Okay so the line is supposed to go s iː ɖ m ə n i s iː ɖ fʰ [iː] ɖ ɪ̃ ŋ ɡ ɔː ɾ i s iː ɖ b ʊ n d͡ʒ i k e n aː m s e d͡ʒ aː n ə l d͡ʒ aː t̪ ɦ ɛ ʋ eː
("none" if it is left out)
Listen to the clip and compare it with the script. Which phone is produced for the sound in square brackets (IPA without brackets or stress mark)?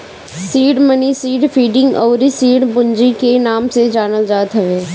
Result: iː